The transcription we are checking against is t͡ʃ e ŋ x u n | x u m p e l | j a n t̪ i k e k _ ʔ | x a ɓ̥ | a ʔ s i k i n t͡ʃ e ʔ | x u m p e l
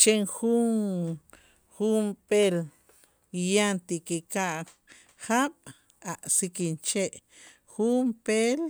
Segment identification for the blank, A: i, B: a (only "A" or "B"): B